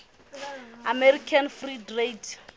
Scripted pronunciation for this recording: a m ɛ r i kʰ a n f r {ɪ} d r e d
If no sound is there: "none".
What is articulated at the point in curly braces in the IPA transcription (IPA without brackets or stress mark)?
i